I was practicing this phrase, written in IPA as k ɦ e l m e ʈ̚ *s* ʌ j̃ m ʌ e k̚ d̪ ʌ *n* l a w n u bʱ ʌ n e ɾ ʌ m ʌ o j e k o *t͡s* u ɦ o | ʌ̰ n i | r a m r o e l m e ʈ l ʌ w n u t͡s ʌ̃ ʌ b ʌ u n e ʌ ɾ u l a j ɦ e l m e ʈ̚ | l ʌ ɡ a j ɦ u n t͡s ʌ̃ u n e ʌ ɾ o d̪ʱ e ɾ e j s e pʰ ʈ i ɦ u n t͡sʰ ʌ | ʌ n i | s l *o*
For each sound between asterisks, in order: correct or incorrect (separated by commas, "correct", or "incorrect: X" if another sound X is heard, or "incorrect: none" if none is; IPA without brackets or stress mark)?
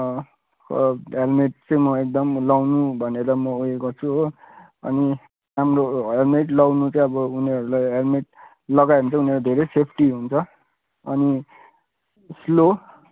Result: incorrect: t͡s, incorrect: m, incorrect: t͡sʰ, correct